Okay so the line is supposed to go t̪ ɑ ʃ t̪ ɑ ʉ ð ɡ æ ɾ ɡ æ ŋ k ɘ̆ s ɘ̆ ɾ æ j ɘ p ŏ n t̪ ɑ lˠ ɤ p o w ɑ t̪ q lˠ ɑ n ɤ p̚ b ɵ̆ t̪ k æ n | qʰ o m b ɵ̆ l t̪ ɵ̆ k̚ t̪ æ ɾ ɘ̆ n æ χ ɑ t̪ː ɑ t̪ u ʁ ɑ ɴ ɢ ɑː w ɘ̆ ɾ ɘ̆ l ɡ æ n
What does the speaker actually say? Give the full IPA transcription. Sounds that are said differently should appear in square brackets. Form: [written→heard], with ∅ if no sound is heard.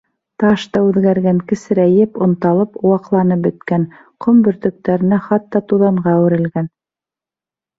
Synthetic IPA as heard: t̪ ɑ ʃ t̪ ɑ ʉ ð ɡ æ ɾ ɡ æ ŋ k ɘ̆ s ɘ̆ ɾ æ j ɘ p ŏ n t̪ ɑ lˠ ɤ p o w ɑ [t̪→∅] q lˠ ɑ n ɤ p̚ b ɵ̆ t̪ k æ n | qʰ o m b ɵ̆ [l→ɾ] t̪ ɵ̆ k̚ t̪ æ ɾ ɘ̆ n æ χ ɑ t̪ː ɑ t̪ u [ʁ→ð] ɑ ɴ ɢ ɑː w ɘ̆ ɾ ɘ̆ l ɡ æ n